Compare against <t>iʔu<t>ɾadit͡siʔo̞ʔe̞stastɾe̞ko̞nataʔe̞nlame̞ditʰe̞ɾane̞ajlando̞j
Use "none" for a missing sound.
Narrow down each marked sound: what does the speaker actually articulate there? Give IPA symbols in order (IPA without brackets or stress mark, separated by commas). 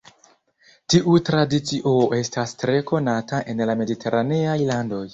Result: t, t